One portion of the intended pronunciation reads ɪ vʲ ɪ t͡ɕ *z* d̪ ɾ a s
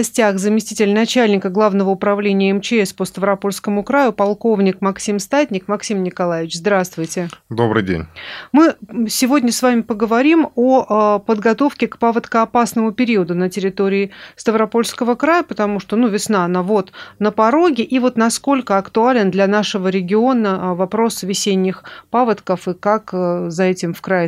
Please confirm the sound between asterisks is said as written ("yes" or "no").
yes